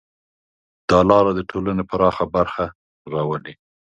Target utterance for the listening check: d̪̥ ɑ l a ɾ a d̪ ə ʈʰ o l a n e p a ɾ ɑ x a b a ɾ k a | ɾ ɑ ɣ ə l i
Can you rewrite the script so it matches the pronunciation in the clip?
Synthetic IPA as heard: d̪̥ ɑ l ɑ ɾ a d̪ ə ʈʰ o l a n e p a ɾ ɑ x a b a ɾ x a | ɾ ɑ w ə l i